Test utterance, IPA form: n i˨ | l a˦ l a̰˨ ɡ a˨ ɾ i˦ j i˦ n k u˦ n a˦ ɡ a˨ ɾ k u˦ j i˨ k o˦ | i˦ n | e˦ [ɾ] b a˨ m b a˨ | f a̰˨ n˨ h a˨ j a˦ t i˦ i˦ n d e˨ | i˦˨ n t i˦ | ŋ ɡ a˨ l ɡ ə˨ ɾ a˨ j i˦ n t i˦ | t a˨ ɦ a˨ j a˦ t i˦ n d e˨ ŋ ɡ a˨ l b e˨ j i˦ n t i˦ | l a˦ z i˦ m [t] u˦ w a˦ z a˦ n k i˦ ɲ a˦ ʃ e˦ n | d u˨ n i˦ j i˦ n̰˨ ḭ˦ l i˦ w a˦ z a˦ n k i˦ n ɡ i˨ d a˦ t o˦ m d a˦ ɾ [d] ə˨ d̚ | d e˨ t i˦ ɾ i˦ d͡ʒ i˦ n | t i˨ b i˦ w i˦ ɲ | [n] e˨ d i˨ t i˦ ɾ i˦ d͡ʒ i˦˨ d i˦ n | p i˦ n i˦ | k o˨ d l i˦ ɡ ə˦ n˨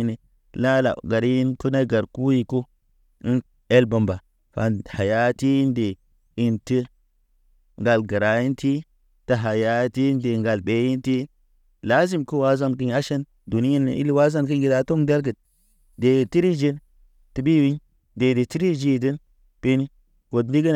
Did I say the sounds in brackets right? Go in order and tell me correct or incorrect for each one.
incorrect: l, incorrect: k, incorrect: ɡ, incorrect: d

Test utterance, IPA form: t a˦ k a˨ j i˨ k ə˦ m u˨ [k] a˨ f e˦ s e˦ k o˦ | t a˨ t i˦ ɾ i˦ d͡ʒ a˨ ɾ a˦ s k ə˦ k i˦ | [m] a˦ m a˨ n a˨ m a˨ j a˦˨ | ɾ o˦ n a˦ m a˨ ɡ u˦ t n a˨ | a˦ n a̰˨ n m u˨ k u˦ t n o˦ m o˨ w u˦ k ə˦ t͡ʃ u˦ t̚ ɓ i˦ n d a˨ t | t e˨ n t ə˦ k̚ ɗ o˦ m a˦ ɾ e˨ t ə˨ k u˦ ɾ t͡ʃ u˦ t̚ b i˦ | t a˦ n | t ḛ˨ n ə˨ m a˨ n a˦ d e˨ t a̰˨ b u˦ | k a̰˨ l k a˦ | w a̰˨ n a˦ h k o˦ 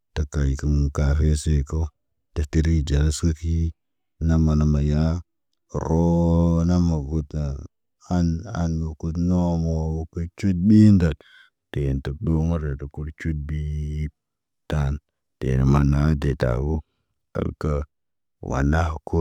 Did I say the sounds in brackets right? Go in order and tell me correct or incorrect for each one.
correct, incorrect: n

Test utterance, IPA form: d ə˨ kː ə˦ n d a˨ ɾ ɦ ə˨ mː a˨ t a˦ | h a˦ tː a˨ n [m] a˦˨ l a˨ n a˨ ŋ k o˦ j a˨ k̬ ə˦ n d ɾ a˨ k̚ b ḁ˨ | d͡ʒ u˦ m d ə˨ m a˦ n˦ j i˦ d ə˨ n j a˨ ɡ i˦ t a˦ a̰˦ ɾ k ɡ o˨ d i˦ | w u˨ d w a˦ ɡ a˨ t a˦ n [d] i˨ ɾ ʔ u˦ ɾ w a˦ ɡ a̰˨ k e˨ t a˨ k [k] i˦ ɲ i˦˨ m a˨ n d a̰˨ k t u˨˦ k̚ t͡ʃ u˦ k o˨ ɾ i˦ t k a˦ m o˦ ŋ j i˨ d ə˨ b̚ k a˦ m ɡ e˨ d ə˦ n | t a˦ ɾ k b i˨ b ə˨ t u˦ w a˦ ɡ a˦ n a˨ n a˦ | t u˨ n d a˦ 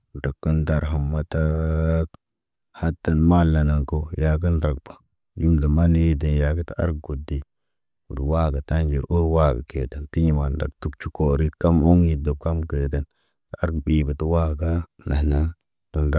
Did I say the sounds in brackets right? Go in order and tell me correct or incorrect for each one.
correct, incorrect: d͡ʒ, incorrect: t

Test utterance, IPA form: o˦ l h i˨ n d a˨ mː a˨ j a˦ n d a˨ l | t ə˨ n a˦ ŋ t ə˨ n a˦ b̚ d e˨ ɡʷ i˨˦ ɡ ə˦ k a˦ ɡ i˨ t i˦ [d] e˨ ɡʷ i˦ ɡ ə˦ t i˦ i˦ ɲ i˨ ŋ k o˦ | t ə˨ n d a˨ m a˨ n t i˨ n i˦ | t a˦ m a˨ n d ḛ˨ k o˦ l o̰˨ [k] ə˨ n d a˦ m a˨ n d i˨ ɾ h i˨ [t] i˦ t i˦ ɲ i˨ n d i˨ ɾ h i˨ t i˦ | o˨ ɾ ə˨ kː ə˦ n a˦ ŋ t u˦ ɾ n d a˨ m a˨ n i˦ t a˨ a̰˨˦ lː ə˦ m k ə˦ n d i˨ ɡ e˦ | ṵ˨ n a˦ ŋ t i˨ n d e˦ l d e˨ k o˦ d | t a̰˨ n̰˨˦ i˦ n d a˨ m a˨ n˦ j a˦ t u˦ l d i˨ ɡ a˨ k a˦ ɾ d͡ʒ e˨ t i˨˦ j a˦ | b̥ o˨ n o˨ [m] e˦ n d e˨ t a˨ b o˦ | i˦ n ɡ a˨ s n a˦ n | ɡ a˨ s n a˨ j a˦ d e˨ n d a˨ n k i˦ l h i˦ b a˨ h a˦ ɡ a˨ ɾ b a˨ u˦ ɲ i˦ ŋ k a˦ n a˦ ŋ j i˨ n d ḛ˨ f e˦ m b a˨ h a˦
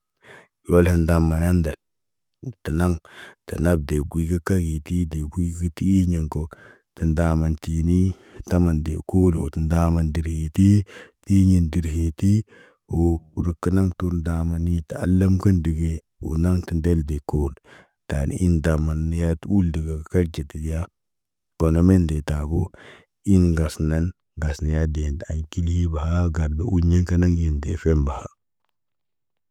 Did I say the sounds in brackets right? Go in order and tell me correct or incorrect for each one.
correct, incorrect: t, correct, correct

